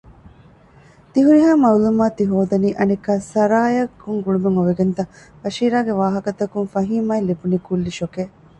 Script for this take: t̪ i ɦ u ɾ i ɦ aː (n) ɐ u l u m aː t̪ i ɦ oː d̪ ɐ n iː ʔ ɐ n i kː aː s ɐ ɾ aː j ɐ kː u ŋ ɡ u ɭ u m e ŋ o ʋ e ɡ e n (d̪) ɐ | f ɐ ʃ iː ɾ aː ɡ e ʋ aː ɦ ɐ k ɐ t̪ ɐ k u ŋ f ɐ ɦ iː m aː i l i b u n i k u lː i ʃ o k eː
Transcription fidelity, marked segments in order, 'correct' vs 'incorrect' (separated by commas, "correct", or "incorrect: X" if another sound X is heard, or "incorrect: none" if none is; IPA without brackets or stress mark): incorrect: m, incorrect: t̪